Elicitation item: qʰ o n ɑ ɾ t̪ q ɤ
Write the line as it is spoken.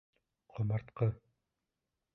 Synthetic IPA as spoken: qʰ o m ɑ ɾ t̪ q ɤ